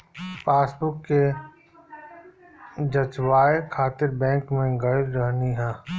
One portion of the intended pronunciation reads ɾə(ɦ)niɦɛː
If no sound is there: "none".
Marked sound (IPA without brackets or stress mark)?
ɦ